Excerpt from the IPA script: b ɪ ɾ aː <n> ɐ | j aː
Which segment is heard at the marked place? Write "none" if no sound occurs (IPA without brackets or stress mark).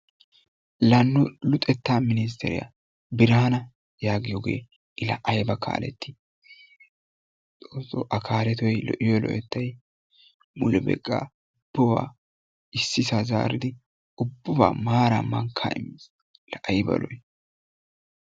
n